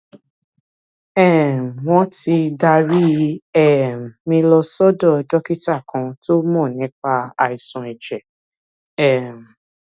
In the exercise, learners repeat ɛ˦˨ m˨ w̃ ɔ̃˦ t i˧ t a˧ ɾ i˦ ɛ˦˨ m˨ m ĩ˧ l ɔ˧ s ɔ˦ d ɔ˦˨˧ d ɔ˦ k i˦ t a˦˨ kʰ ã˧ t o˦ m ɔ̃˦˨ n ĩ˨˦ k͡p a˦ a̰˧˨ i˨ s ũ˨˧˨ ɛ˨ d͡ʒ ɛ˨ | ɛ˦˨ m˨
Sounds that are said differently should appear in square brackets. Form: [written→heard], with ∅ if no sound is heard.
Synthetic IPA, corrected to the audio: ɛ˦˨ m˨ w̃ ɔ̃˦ t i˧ [t→d] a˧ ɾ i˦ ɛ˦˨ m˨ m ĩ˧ l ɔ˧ s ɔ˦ d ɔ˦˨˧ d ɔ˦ k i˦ t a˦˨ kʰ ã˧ t o˦ m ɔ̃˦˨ n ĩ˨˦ k͡p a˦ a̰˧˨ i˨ s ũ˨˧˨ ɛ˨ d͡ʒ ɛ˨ | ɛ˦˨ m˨